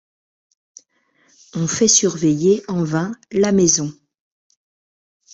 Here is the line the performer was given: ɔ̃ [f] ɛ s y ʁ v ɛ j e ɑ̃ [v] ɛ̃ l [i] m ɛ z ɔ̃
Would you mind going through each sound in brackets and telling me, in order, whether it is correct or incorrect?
correct, correct, incorrect: a

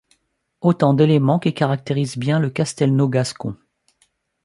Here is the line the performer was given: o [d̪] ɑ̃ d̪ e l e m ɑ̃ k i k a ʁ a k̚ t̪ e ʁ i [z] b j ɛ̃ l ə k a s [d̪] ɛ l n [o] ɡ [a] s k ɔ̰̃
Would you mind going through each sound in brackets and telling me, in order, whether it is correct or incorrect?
incorrect: t̪, correct, incorrect: t̪, correct, correct

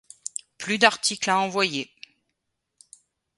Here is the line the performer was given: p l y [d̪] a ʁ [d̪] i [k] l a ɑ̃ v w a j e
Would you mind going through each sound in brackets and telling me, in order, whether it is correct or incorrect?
correct, incorrect: t̪, correct

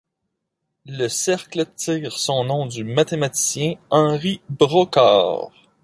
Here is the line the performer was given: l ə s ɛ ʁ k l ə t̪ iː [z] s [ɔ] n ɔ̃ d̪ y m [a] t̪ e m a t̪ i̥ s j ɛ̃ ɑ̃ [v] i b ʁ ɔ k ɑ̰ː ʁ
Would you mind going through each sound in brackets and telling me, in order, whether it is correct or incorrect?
incorrect: ʁ, incorrect: ɔ̃, correct, incorrect: ʁ

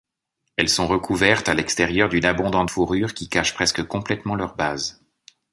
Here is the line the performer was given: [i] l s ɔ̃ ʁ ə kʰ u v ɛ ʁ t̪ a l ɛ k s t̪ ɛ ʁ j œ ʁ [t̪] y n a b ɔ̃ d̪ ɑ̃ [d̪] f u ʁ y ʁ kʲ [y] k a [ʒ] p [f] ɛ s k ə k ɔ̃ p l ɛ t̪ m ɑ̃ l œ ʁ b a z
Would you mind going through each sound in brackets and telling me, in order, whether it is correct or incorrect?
incorrect: ɛ, incorrect: d̪, incorrect: t̪, incorrect: i, incorrect: ʃ, incorrect: χ

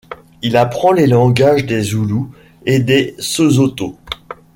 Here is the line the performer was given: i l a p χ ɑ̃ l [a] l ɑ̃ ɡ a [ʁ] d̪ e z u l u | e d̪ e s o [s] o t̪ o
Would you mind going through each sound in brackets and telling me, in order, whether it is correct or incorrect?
incorrect: e, incorrect: ʒ, incorrect: z

